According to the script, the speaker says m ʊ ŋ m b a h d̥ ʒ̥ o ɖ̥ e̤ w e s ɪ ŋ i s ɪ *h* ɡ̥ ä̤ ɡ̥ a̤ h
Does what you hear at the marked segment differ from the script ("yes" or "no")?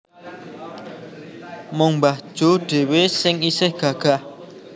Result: no